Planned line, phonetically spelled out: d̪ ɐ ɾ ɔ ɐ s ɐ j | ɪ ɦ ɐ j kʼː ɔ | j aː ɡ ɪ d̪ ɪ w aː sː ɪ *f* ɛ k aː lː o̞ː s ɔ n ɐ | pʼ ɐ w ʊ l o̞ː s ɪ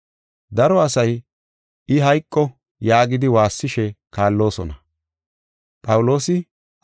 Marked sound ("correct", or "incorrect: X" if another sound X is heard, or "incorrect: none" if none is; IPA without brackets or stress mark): incorrect: ʃ